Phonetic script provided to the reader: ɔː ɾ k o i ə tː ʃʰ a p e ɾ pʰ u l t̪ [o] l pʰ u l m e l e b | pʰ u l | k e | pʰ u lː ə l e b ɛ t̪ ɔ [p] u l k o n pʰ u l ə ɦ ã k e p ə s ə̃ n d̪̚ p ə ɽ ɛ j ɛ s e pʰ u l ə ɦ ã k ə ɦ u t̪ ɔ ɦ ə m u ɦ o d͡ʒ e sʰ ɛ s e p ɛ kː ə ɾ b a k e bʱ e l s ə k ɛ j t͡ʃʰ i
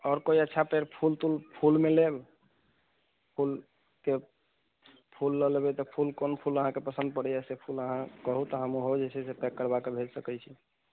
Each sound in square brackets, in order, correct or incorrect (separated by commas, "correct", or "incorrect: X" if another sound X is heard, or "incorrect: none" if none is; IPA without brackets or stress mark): incorrect: u, incorrect: pʰ